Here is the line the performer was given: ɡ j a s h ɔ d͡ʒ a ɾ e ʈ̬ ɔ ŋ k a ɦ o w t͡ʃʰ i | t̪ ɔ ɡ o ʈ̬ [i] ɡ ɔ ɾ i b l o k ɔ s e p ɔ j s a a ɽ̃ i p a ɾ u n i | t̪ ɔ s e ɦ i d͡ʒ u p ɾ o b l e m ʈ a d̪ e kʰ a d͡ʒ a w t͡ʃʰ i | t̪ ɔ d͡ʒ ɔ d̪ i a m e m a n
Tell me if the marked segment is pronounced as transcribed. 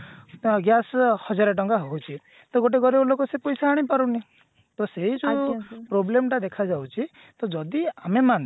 no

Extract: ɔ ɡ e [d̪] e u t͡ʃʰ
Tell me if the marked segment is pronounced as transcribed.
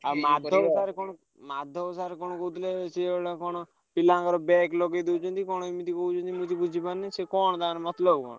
yes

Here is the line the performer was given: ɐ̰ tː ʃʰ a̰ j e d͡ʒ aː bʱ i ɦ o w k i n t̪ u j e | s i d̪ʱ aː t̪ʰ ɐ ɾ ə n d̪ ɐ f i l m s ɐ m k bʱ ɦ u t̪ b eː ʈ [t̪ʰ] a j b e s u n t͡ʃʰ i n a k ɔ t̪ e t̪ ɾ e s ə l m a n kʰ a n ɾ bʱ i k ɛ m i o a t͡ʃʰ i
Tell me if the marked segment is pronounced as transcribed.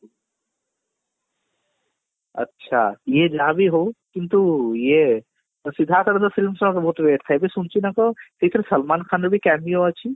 yes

